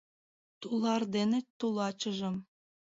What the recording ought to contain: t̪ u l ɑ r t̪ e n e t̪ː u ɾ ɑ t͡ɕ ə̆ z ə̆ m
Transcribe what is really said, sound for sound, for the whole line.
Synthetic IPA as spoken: t̪ u l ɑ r d̪ e n e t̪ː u l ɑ t͡ɕ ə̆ ʒ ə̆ m